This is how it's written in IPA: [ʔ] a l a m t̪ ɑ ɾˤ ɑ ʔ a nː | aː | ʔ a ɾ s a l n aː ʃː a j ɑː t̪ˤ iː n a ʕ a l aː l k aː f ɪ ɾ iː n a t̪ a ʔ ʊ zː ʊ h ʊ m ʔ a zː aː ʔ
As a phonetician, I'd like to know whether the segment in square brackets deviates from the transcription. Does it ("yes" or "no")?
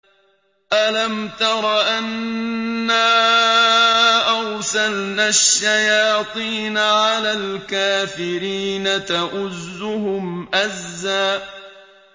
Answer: no